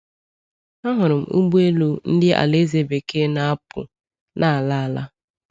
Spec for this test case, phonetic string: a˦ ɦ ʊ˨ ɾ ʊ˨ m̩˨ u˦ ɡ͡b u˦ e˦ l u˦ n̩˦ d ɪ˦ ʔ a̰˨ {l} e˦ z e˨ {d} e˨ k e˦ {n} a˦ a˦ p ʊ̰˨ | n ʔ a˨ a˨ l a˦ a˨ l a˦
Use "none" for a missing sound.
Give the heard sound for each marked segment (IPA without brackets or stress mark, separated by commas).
l, b, n